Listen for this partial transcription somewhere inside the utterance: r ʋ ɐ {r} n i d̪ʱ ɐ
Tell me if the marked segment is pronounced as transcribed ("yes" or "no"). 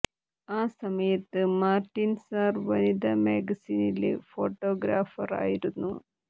no